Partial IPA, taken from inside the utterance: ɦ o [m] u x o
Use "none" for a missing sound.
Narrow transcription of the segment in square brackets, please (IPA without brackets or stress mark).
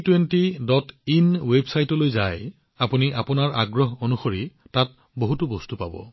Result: n